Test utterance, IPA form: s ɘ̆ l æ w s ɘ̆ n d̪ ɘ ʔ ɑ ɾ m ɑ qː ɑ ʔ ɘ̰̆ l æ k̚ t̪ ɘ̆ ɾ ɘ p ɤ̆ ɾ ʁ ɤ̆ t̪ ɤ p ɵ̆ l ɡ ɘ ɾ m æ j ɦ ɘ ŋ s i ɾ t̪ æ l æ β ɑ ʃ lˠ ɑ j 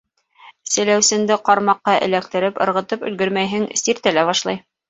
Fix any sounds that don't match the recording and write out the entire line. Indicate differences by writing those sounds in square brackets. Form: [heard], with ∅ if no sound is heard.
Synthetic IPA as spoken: s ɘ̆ l æ w s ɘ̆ n d̪ ɘ [q] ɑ ɾ m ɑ qː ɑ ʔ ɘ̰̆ l æ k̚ t̪ ɘ̆ ɾ ɘ p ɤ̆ ɾ ʁ ɤ̆ t̪ ɤ p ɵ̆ l ɡ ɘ ɾ m æ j ɦ ɘ ŋ s i ɾ t̪ æ l æ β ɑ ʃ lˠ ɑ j